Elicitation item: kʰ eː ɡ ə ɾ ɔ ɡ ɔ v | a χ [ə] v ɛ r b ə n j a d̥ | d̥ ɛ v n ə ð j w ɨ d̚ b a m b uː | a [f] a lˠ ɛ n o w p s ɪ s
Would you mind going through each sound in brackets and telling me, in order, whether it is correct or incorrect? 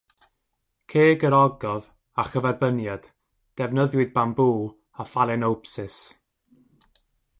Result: correct, correct

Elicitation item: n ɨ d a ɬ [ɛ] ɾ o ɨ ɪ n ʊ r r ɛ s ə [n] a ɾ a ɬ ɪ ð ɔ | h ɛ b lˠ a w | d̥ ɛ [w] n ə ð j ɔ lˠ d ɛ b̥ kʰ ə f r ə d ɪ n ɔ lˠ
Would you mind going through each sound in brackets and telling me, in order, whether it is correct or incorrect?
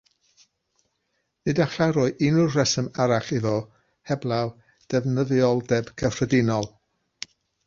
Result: incorrect, incorrect, incorrect

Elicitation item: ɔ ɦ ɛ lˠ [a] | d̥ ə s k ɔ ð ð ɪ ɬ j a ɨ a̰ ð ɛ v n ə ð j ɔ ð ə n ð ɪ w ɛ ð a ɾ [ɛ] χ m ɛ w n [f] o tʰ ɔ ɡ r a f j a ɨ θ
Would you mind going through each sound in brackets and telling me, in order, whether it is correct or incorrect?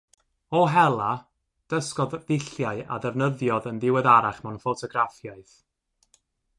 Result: correct, incorrect, correct

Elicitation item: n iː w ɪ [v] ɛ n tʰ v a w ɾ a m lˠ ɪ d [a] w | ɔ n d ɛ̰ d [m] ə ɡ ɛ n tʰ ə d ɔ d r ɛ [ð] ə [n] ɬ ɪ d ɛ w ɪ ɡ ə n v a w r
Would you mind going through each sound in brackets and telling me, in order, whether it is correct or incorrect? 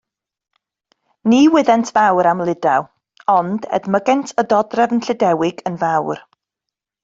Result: incorrect, correct, correct, incorrect, correct

